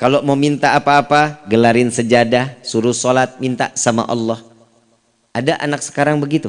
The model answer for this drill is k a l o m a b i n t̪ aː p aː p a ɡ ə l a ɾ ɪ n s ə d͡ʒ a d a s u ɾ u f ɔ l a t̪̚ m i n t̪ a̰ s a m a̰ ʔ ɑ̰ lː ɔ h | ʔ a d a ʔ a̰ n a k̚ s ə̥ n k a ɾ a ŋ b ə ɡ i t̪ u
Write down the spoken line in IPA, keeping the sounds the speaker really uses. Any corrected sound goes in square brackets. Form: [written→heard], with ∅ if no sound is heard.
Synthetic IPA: k a l o m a [b→m] i n t̪ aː p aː p a ɡ ə l a ɾ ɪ n s ə d͡ʒ a d a s u ɾ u [f→s] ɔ l a t̪̚ m i n t̪ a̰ s a m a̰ ʔ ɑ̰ lː ɔ h | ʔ a d a ʔ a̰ n a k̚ s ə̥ [n→∅] k a ɾ a ŋ b ə ɡ i t̪ u